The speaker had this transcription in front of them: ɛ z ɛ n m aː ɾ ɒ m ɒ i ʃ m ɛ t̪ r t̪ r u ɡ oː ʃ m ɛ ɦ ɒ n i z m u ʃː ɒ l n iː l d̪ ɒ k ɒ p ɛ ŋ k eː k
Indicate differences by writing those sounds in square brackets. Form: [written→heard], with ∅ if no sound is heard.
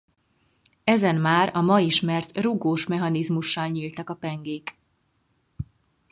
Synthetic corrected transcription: ɛ z ɛ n m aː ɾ ɒ m ɒ i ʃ m ɛ [t̪→∅] r t̪ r u ɡ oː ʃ m ɛ ɦ ɒ n i z m u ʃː ɒ l [n→ɲ] iː l [d̪→t̪] ɒ k ɒ p ɛ ŋ [k→ɡ] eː k